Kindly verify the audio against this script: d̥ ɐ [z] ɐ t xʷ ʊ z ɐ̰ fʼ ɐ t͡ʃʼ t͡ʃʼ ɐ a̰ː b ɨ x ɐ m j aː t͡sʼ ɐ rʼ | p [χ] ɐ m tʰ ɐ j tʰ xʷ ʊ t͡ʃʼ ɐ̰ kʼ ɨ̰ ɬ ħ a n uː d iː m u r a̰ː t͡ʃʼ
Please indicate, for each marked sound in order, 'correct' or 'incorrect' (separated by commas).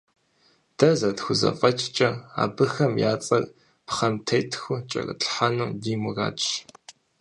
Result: correct, correct